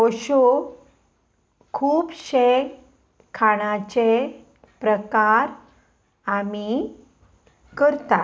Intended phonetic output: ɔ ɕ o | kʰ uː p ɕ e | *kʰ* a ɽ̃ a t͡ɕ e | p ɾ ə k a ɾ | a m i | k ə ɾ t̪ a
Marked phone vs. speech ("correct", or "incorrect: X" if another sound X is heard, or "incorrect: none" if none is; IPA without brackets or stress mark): correct